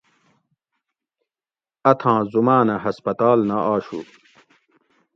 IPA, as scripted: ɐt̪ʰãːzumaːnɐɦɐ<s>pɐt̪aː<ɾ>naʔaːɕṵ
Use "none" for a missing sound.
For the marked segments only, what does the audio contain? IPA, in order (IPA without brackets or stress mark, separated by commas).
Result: s, l